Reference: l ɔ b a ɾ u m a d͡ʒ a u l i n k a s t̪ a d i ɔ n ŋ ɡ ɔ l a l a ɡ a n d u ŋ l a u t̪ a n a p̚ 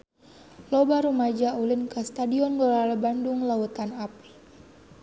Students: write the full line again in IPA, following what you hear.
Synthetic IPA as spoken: l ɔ b a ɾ u m a d͡ʒ a u l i n k a s t̪ a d i ɔ n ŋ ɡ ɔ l a l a b a n d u ŋ l a u t̪ a n a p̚